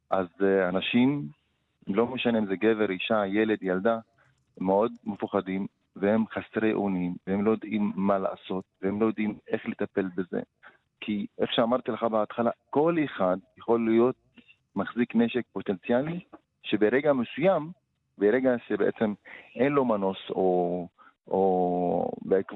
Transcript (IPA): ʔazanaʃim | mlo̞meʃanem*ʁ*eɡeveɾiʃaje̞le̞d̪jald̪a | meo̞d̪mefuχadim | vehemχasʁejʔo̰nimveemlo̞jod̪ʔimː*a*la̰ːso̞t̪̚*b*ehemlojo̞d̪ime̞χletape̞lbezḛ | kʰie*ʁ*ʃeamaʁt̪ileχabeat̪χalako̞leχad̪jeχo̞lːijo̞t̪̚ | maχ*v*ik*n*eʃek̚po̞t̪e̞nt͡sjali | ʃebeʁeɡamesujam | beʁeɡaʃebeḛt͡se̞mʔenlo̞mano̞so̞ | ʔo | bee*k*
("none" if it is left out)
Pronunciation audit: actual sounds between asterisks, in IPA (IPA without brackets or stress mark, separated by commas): z, a, v, χ, z, n, k